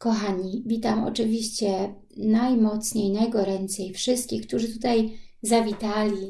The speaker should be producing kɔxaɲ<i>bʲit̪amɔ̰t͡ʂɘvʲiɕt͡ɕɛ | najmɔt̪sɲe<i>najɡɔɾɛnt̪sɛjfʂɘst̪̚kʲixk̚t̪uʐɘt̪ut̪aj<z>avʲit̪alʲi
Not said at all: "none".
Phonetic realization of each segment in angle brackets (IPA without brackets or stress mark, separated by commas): i, j, z